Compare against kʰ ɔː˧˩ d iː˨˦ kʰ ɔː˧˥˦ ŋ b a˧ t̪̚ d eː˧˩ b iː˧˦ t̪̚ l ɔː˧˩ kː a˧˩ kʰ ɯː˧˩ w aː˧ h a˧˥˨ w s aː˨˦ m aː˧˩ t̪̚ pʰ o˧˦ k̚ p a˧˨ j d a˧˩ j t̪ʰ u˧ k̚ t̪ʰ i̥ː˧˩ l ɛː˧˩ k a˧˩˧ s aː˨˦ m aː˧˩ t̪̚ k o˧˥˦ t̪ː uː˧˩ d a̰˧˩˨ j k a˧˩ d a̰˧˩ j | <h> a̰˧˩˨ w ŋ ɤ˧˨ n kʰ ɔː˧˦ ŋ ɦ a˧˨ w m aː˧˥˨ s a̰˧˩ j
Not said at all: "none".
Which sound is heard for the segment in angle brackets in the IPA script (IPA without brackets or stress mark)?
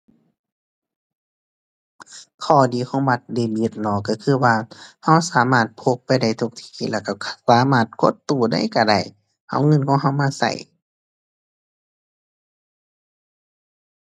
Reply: h